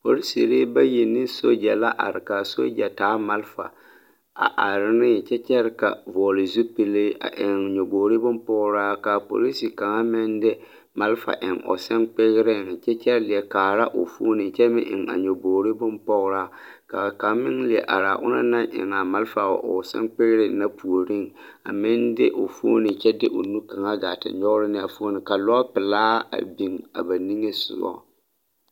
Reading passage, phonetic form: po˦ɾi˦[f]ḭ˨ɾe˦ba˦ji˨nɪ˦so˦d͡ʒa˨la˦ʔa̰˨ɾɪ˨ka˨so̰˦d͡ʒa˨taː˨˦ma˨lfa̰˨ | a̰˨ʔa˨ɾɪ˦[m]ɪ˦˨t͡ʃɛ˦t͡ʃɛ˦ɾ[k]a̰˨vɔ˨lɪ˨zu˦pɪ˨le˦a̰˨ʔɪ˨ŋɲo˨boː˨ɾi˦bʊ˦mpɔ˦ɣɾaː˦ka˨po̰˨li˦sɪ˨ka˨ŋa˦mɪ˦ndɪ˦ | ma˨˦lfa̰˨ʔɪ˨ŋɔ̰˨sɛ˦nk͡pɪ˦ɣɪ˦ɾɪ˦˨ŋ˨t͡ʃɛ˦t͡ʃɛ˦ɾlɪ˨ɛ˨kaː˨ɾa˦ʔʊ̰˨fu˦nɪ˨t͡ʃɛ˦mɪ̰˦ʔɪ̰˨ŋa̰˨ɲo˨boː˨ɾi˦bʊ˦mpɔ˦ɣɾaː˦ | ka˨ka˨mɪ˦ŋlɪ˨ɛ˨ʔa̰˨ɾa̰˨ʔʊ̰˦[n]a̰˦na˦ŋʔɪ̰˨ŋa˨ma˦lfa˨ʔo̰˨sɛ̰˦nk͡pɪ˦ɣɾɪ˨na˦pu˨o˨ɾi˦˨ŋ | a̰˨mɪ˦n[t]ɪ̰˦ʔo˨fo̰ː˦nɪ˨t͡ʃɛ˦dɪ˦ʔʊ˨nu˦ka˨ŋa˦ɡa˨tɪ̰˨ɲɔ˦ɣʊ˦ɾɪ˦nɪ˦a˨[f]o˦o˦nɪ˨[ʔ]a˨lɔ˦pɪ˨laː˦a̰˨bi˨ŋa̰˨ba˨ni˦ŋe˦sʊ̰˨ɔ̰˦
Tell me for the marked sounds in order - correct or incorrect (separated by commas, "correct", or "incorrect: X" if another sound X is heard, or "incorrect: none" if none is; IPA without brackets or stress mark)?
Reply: incorrect: s, incorrect: n, correct, correct, incorrect: d, correct, incorrect: k